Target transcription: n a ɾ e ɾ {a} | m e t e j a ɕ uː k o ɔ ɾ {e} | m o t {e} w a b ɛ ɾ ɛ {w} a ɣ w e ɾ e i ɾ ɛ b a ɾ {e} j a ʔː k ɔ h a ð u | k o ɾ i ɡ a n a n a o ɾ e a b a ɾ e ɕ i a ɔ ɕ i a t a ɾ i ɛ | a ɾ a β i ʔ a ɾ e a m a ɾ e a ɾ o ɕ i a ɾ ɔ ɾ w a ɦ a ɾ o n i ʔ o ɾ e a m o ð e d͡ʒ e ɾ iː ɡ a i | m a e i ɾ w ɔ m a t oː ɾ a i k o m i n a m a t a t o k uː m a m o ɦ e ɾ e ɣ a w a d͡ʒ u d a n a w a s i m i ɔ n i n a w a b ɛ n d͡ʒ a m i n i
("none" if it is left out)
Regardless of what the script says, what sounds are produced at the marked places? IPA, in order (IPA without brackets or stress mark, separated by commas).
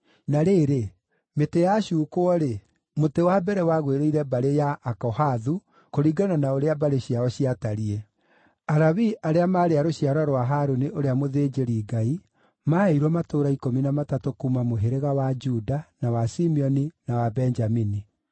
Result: e, e, e, w, e